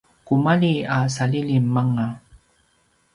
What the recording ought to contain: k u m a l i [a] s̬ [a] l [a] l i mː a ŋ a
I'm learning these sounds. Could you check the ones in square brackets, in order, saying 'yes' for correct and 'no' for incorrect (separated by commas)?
yes, yes, no